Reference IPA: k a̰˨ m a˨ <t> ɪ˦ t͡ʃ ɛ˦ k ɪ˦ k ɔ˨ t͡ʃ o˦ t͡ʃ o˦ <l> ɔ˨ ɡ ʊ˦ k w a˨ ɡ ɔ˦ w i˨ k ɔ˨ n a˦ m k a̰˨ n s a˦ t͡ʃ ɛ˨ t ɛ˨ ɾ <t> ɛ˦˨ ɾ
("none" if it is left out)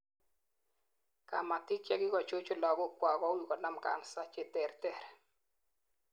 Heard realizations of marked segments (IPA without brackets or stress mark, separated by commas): t, l, t